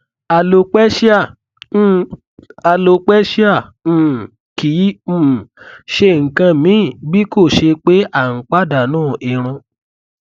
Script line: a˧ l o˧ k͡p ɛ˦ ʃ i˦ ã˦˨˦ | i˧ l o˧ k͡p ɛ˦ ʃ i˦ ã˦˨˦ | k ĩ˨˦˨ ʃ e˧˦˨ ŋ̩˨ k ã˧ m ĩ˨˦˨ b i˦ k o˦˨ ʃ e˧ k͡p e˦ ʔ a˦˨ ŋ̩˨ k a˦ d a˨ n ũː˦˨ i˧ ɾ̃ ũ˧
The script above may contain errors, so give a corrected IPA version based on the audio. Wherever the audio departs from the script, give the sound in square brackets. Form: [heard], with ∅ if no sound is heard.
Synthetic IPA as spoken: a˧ l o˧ k͡p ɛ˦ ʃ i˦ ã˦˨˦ | [a˧] l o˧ k͡p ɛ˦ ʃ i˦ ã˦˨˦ | k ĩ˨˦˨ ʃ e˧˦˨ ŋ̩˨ k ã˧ m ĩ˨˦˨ b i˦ k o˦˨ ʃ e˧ k͡p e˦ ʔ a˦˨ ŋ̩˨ [k͡p] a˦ d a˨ n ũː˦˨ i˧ ɾ̃ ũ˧